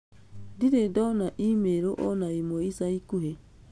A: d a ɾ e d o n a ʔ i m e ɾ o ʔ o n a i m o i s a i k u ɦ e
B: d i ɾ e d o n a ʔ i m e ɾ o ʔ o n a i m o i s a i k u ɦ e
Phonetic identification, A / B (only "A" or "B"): B